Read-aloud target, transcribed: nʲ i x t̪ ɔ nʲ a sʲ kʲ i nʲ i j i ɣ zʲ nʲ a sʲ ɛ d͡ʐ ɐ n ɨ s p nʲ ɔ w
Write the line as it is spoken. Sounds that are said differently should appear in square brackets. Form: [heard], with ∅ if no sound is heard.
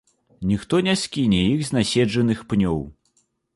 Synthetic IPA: nʲ i x t̪ ɔ nʲ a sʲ kʲ i nʲ [ɛ] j i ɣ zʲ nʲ a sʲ ɛ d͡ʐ ɐ n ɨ [x] p nʲ ɔ w